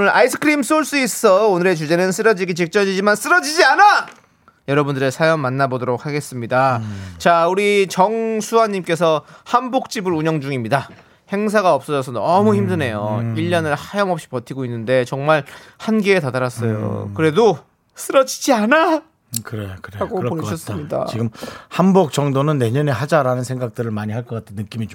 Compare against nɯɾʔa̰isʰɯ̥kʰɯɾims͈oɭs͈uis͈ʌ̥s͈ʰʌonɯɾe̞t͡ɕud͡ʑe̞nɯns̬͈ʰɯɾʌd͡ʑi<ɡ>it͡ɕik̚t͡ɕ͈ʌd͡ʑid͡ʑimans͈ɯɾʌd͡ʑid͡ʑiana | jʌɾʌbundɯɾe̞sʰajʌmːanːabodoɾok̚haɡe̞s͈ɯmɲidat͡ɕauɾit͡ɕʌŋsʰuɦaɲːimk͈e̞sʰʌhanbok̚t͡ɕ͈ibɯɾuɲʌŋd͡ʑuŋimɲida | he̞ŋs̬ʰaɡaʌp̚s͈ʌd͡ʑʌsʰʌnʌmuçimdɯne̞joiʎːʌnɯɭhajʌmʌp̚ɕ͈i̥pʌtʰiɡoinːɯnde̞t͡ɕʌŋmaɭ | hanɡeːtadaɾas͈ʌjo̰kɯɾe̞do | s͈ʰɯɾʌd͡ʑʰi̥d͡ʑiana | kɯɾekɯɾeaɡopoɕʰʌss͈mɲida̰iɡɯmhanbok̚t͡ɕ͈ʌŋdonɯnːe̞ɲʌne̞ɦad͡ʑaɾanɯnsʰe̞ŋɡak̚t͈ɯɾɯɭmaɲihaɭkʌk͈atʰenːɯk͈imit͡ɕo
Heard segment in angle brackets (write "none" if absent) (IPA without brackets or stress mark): ɡ